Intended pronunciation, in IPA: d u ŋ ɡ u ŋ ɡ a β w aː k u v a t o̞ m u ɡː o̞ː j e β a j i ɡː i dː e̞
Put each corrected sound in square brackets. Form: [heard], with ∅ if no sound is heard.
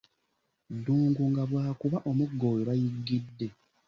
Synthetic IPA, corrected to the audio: d [uː] ŋ ɡ u ŋ ɡ a β w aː k u [β] a [ʔ] o̞ m u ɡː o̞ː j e β a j i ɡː i dː e̞